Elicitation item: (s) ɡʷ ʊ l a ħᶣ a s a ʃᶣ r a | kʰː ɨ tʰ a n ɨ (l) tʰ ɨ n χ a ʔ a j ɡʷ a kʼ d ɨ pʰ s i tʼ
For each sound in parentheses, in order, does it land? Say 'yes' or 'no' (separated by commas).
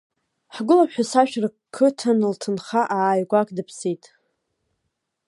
no, yes